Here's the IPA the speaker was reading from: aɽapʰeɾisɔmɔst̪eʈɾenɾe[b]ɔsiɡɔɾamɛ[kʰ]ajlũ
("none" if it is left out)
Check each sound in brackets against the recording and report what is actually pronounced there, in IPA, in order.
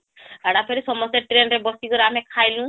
b, kʰ

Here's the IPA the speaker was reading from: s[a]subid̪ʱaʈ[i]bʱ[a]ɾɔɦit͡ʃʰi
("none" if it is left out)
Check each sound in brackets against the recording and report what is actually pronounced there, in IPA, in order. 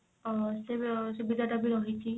e, a, i

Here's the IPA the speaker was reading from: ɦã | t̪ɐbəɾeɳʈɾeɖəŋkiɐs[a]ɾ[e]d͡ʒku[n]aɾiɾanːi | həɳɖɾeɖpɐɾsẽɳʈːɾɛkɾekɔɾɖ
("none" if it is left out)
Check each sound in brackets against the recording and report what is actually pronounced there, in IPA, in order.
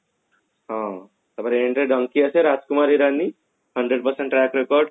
e, a, m

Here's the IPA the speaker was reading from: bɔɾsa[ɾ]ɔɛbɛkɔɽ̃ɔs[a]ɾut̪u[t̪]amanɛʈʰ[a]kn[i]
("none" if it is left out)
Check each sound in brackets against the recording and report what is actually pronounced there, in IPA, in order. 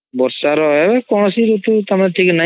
ɾ, i, t̪, i, a

